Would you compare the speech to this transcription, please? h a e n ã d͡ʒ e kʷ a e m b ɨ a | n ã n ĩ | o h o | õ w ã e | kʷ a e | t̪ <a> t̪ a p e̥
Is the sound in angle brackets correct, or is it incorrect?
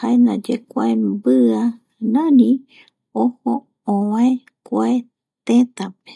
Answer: incorrect